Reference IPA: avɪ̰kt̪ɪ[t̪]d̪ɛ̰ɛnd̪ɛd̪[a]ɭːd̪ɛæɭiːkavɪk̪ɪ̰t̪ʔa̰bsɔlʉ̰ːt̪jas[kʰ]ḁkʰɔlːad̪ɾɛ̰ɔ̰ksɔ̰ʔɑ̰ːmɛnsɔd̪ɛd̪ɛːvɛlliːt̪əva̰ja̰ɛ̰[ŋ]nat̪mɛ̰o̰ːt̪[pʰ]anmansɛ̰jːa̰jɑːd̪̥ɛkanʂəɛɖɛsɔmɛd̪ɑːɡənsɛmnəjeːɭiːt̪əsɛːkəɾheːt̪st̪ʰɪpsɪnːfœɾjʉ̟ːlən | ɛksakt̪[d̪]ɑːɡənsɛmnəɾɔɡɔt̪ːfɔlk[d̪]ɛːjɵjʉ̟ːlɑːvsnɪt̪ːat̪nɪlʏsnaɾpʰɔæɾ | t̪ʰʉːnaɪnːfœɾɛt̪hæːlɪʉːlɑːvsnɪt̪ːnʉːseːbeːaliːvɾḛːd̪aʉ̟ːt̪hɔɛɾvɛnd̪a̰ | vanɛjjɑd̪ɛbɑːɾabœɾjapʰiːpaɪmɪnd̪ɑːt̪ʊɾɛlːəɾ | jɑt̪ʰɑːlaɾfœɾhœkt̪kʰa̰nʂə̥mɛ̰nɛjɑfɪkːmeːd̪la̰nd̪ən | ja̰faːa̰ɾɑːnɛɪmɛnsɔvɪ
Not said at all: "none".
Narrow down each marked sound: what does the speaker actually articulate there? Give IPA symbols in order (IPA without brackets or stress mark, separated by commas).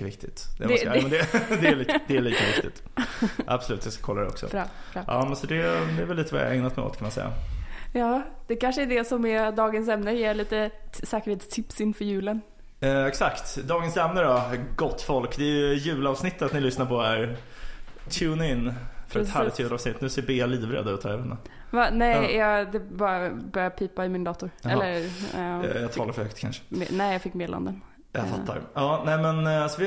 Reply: t̪, ɛ, k, ŋ, kʰ, d̪, d̪